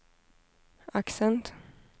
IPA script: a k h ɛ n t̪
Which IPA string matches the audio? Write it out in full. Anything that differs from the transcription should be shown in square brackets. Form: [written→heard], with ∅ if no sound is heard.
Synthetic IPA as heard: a k [h→s] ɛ n t̪